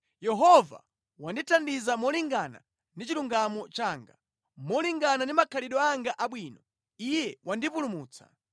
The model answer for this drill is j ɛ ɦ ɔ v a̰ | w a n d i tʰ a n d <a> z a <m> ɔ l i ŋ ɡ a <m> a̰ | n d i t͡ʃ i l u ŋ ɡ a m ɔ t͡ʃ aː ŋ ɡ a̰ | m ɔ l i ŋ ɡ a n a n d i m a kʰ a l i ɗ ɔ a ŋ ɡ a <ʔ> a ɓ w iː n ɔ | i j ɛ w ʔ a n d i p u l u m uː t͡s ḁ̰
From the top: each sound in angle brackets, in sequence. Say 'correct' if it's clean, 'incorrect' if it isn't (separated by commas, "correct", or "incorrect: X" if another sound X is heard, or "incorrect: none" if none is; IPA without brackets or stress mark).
incorrect: i, correct, incorrect: n, correct